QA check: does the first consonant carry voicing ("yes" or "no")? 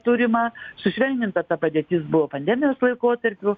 no